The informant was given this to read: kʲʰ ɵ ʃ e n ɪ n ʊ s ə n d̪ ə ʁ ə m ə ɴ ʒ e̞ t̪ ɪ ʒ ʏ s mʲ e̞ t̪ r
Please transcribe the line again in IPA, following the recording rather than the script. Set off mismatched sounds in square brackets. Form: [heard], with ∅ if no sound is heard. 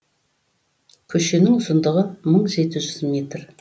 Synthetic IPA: kʲʰ ɵ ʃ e n ɪ [ŋ] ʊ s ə n d̪ ə ʁ ə m ə ɴ ʒ e̞ t̪ ɪ ʒ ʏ [z] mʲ e̞ t̪ r